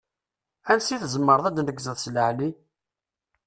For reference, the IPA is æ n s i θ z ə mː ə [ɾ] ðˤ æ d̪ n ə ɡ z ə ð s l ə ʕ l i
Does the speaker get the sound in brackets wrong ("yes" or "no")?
no